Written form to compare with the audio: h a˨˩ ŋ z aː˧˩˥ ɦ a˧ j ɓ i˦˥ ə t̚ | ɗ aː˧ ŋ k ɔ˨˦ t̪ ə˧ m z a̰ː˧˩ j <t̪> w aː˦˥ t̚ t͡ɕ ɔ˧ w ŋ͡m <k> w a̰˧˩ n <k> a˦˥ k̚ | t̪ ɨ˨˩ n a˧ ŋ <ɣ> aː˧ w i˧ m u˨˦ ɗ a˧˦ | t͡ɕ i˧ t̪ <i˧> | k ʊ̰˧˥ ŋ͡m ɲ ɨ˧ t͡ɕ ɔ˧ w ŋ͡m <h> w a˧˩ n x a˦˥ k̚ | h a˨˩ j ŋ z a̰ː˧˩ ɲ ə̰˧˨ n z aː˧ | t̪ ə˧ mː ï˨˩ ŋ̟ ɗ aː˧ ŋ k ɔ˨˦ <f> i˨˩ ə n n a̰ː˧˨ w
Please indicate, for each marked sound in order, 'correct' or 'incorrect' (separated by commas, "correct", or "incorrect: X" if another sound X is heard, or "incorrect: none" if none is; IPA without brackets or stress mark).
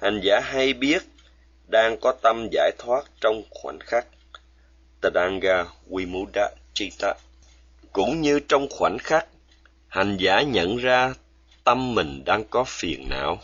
incorrect: t̪ʰ, incorrect: x, incorrect: x, correct, incorrect: a˧, incorrect: x, correct